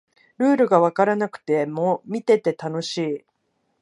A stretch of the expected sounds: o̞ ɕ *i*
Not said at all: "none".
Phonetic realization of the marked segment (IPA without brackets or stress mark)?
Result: iː